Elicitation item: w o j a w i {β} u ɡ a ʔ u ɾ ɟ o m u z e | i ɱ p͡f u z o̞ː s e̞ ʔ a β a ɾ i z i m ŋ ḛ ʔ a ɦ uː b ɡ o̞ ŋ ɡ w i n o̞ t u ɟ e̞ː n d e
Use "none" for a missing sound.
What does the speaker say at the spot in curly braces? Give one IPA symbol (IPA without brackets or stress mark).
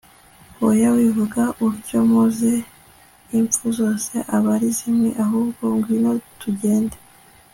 v